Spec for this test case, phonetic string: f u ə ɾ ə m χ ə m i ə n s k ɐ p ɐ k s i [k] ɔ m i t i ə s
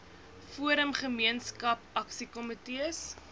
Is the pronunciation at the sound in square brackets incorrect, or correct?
correct